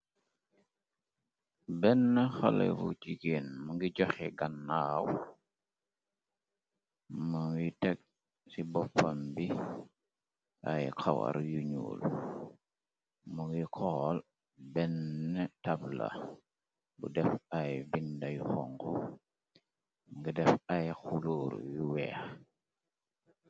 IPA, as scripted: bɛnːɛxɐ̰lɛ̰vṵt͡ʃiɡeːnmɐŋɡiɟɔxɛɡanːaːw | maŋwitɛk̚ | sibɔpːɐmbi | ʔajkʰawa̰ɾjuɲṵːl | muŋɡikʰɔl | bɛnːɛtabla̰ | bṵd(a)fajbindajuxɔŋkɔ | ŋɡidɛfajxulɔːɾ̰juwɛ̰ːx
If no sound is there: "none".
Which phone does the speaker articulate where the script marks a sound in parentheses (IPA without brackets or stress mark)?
ɛ